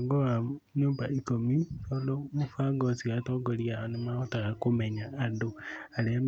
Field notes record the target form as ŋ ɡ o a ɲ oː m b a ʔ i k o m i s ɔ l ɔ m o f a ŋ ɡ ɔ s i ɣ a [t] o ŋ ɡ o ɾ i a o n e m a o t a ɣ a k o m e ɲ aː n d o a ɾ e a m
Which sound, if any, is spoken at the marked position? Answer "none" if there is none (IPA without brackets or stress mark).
t